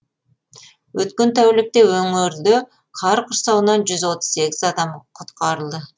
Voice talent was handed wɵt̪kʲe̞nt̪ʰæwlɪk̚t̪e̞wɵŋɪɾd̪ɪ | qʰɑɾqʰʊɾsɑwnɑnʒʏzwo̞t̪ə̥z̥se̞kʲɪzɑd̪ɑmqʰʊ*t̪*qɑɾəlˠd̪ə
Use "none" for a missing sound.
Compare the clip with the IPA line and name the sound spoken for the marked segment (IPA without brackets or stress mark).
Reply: t̪